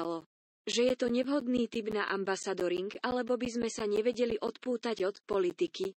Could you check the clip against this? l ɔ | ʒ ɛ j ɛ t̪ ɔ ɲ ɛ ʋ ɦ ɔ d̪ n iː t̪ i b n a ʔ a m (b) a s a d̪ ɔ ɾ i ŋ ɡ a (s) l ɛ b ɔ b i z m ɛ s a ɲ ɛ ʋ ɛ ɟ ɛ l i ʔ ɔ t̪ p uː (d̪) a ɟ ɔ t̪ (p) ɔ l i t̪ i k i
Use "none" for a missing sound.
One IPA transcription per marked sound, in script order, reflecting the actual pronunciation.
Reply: b, none, t̪, p

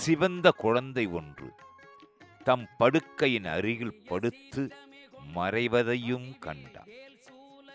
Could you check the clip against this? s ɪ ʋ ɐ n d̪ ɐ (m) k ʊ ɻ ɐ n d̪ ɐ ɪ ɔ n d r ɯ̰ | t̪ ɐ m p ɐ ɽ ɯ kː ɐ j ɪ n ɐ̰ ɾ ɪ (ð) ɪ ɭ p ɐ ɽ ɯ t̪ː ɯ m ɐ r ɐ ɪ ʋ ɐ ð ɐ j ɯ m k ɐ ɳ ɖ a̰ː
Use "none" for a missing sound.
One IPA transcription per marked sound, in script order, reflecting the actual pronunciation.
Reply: none, ɣ

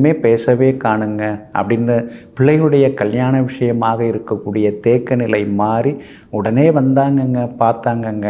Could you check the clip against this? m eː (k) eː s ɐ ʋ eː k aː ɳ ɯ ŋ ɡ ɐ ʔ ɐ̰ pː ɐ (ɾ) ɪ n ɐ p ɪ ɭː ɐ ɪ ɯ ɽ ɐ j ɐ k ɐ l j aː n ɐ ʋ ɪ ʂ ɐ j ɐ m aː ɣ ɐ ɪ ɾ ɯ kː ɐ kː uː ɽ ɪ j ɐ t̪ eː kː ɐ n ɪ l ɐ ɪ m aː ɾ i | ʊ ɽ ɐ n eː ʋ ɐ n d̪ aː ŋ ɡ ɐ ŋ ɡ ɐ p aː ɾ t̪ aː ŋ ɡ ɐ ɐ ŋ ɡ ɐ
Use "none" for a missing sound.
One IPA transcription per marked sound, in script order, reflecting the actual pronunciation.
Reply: p, ɽ

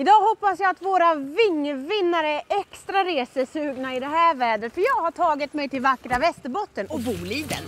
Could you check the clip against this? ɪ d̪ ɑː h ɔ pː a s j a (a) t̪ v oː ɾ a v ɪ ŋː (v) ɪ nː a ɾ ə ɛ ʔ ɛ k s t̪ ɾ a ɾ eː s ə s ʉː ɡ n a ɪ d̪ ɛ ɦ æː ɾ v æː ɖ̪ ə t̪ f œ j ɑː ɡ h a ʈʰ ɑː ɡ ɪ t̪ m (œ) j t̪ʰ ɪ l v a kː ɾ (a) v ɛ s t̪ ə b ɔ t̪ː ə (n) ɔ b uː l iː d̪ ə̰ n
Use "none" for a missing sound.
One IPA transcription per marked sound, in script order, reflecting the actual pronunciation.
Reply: a, v, ɛ, a, n

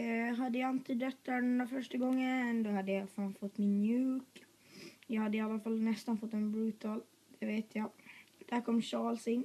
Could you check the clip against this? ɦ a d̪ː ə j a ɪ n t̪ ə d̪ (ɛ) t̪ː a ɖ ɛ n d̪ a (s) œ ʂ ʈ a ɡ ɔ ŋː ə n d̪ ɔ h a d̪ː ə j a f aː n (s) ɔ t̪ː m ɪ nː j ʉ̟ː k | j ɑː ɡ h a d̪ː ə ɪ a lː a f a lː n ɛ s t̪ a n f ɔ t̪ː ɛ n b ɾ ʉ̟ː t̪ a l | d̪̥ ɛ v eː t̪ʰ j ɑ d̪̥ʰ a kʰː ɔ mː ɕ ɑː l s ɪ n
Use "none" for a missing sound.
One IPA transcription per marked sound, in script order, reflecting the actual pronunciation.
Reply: œ, f, f

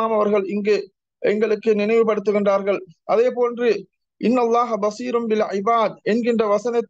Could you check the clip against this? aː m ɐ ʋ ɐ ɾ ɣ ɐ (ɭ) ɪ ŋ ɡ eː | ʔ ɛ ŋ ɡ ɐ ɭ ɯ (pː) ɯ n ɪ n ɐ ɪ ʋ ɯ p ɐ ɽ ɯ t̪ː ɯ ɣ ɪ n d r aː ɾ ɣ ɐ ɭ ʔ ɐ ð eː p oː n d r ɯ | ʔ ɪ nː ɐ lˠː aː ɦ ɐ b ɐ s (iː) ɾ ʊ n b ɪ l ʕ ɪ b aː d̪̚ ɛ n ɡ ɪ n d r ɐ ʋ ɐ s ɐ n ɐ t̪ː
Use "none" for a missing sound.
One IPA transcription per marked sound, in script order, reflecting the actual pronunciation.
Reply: ɭ, kː, iː

